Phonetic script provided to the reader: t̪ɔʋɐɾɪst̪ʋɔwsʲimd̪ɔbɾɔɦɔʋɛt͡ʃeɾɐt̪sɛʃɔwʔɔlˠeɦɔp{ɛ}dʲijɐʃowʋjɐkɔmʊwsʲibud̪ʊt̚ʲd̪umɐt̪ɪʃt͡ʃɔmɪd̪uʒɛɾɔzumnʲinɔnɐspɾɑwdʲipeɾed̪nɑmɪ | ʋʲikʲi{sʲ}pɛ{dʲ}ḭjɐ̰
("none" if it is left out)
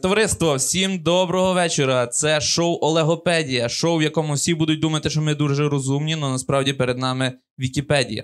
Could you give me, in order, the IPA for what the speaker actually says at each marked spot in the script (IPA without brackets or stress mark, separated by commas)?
ɛ, none, dʲ